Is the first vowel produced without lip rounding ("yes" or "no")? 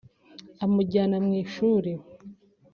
yes